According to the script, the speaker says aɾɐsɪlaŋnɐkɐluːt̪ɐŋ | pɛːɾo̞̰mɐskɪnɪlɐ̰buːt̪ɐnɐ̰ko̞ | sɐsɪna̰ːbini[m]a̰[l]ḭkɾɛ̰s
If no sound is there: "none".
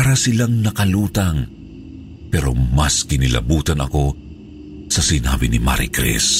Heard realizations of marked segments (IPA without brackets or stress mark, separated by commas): m, ɾ